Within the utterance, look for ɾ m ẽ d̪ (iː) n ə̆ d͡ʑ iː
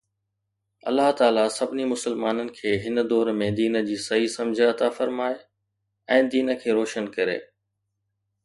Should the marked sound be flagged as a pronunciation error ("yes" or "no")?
no